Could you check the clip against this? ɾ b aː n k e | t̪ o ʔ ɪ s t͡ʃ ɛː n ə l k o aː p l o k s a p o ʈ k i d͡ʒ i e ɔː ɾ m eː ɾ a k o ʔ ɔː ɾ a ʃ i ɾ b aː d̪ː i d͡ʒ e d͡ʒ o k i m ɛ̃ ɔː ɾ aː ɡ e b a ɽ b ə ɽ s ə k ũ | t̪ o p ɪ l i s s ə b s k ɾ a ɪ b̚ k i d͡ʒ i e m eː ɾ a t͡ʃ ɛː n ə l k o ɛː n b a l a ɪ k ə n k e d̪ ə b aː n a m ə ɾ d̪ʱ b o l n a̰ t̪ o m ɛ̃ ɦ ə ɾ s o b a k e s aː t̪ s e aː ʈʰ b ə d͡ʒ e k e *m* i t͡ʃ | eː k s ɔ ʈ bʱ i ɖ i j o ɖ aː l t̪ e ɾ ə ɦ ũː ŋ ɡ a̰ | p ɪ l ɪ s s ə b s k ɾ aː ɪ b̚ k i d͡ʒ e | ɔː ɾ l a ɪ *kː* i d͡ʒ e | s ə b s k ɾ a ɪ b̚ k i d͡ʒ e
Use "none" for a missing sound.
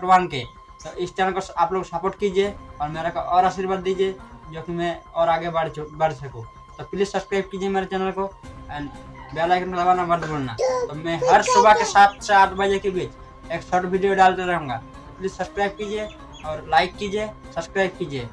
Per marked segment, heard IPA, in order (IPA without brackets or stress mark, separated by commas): b, kː